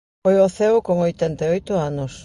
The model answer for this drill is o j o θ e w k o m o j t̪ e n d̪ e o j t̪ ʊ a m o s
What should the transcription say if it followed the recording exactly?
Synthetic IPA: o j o θ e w k o ŋ o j t̪ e n t̪ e o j t̪ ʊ a n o s